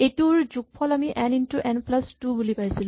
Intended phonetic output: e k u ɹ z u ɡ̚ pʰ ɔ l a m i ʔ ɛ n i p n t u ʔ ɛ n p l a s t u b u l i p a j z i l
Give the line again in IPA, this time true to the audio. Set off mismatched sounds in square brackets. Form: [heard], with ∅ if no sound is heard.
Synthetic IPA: e [t] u ɹ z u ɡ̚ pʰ ɔ l a m i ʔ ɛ n i [∅] n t u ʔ ɛ n p l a s t u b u l i p a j [s] i l